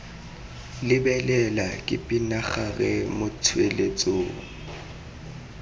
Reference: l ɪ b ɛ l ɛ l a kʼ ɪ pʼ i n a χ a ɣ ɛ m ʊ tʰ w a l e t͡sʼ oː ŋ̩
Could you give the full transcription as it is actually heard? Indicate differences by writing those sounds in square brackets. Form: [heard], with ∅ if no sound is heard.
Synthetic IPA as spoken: l ɪ b ɛ l ɛ l a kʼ ɪ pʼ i n a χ a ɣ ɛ m ʊ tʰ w [e] l e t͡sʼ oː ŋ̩